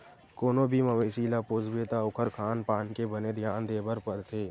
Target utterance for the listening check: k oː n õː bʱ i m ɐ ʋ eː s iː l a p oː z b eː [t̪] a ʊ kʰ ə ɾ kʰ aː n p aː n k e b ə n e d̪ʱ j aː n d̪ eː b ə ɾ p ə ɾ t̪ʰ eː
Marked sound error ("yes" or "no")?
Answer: no